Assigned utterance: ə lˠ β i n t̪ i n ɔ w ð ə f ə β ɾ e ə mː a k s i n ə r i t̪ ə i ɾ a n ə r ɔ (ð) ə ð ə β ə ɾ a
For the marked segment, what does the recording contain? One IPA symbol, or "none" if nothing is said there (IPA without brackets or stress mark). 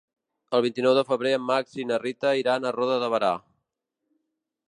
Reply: ð